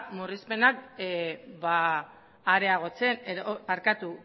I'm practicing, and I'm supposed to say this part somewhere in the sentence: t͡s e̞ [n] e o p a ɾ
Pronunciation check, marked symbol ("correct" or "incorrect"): correct